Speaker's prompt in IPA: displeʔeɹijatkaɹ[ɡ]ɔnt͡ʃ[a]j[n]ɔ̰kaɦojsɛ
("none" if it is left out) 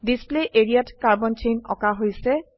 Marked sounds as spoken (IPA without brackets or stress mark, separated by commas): b, e, n